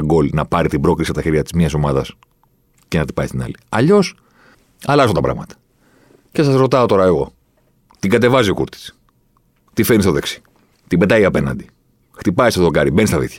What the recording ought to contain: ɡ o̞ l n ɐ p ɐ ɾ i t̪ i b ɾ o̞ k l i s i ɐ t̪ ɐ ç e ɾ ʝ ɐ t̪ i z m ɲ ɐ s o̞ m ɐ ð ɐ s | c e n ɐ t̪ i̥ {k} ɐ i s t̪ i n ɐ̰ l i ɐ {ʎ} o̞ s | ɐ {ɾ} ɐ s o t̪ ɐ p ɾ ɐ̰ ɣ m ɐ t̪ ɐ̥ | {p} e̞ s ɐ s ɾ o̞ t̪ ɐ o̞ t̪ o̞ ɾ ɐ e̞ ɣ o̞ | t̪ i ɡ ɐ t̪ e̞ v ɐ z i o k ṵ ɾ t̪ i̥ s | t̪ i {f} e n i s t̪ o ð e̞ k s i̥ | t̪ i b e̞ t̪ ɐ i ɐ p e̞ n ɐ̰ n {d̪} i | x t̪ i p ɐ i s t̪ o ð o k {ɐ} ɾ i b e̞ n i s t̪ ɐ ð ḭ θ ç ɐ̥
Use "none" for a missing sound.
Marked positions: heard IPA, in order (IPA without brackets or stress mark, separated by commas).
p, ʎ, l, c, f, d̪, ɐ